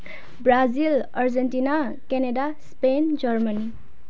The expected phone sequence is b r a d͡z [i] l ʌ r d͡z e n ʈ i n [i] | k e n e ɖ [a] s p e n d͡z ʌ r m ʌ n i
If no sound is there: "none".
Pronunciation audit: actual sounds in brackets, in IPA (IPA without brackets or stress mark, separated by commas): i, a, a